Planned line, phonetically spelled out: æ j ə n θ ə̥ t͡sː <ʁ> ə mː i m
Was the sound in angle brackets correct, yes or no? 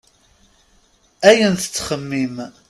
no